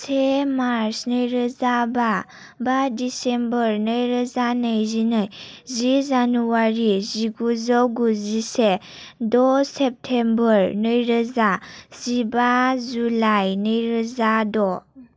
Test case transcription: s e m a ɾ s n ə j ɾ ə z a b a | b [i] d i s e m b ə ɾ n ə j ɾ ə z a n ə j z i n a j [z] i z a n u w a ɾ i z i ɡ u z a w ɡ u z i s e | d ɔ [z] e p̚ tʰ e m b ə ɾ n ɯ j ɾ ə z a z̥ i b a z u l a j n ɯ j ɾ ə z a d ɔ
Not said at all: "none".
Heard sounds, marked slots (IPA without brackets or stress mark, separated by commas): a, z, s